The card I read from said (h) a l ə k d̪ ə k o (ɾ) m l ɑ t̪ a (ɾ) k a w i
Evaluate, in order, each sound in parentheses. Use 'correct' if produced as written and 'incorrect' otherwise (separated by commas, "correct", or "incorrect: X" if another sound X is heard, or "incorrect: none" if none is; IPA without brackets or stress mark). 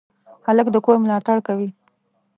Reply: correct, correct, incorrect: ɽ